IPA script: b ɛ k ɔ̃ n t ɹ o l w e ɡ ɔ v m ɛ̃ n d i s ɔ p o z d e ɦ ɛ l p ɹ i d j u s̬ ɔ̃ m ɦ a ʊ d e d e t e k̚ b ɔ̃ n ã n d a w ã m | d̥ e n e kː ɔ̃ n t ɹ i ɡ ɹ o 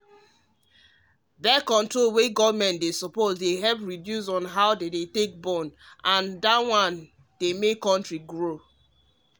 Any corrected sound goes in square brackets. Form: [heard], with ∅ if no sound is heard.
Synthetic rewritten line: b ɛ k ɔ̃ n t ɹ o l w e ɡ ɔ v m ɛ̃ n d [e] s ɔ p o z d e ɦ ɛ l p ɹ i d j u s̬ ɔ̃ [n] ɦ a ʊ d e d e t e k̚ b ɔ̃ n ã n d a w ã [n] | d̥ e [m] e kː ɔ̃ n t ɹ i ɡ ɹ o